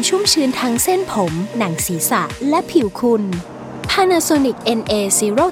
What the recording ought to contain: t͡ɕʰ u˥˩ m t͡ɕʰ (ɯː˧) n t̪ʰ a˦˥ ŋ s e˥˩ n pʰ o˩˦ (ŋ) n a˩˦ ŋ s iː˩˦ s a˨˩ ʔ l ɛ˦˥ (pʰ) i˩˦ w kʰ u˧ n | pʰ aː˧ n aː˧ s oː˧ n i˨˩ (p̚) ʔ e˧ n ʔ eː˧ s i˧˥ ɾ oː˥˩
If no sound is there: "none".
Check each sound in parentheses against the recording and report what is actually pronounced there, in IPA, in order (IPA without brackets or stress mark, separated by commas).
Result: ɯː˧, m, pʰ, k̚